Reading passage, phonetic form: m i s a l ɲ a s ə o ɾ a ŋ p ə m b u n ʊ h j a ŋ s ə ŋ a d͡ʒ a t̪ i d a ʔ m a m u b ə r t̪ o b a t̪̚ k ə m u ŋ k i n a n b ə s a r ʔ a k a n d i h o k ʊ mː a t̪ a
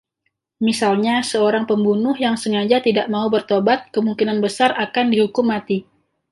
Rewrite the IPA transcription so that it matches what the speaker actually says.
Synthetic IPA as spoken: m i s a l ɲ a s ə o ɾ a ŋ p ə m b u n ʊ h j a ŋ s ə ŋ a d͡ʒ a t̪ i d a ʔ m a u b ə r t̪ o b a t̪̚ k ə m u ŋ k i n a n b ə s a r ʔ a k a n d i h u k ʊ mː a t̪ i